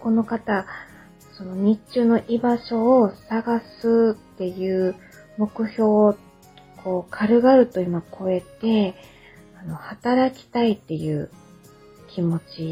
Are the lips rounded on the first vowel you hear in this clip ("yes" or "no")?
yes